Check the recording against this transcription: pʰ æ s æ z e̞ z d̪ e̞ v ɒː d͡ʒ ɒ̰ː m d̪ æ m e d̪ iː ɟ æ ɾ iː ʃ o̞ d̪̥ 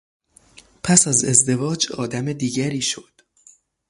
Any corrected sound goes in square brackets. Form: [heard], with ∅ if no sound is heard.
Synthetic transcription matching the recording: pʰ æ s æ z e̞ z d̪ e̞ v ɒː d͡ʒ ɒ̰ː [∅] d̪ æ m e d̪ iː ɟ æ ɾ iː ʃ o̞ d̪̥